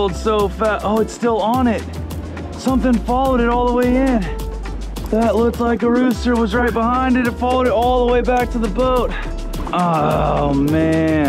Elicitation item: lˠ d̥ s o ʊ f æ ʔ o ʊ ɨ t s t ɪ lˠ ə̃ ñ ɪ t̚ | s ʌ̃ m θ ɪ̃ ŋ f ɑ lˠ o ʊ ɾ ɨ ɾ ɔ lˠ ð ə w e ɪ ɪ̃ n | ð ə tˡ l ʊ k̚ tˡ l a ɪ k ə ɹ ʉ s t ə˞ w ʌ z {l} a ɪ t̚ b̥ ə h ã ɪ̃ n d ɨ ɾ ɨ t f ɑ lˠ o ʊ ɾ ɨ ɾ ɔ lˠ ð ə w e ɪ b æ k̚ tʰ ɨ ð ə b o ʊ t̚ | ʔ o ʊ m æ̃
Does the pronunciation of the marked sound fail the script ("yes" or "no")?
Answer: yes